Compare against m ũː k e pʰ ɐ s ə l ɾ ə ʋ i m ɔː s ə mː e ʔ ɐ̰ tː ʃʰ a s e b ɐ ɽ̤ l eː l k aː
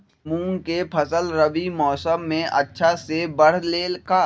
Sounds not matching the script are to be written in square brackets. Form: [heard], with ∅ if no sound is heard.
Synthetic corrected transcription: m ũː k e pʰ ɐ s ə l ɾ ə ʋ i m ɔː s ə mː [ẽ] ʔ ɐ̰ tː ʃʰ a s e b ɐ ɽ̤ l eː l k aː